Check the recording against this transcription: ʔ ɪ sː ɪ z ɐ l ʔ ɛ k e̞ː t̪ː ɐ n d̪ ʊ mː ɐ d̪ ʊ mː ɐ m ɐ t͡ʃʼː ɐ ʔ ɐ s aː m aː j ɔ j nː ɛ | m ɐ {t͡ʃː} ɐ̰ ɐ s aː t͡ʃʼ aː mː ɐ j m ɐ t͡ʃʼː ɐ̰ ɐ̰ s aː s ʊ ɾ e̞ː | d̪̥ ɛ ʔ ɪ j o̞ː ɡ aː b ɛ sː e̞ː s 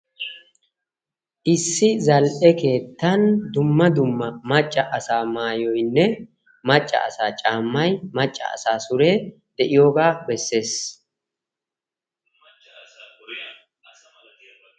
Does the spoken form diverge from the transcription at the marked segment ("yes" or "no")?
yes